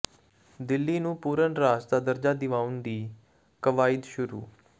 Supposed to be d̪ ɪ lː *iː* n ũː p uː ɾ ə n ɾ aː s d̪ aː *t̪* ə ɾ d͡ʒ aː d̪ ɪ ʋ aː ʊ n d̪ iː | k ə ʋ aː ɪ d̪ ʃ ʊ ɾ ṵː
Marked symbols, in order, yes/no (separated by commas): yes, no